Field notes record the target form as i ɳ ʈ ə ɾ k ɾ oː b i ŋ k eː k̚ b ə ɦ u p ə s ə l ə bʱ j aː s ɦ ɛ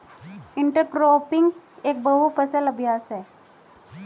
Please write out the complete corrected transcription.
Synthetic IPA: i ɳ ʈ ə ɾ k ɾ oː p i ŋ ɡ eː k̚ b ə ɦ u p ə s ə l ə bʱ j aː s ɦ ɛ